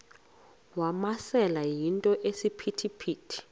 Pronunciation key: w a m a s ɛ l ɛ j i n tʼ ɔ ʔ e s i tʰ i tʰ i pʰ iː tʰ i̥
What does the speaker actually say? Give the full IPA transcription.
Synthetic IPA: w a m a s ɛ l a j i n tʼ ɔ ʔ e s i pʰ i tʰ i pʰ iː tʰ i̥

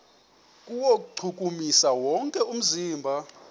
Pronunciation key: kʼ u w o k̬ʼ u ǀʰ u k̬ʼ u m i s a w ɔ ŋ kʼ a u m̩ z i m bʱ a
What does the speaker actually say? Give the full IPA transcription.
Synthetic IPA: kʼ u w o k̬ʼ u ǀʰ u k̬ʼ u m i s a w ɔ ŋ kʼ ɛ u m̩ z iː m bʱ a

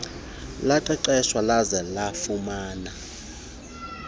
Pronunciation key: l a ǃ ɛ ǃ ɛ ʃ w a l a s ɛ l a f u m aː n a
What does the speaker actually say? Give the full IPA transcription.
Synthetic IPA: l a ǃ ɛ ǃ ɛ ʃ w a l a z ɛ l a f u m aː n a

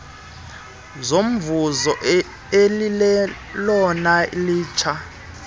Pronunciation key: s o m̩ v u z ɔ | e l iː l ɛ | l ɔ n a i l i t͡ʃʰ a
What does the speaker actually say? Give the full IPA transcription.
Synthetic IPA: z o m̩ v u z ɔ | e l i l ɛ | l ɔ n a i l iː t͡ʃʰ a

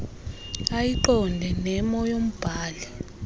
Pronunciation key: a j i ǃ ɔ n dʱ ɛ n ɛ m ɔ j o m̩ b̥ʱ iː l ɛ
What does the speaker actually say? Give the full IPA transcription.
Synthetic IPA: a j i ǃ ɔ n dʱ ɛ n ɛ m ɔ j o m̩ b̥ʱ aː l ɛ

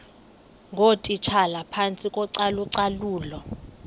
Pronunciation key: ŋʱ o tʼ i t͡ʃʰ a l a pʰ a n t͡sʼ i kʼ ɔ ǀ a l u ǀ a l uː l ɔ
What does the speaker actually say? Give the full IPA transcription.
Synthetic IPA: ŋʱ o tʼ i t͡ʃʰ a l a pʰ a n t͡sʼ i kʼ ɔ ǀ a l u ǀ a l uː l ɔ

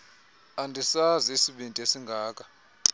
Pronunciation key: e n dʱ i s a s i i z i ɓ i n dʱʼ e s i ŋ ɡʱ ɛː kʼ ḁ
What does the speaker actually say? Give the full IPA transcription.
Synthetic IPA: a n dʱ i s a z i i s i ɓ i n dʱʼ e s i ŋ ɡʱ aː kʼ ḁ

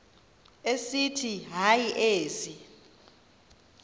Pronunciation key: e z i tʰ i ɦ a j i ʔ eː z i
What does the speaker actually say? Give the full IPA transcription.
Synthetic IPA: e s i tʰ i ɦ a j i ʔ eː z i

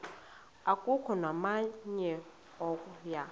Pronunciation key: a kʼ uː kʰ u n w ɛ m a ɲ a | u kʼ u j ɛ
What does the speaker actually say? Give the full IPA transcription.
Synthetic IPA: a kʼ u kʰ ɔ n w a m a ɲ ɛ | ɔ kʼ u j a

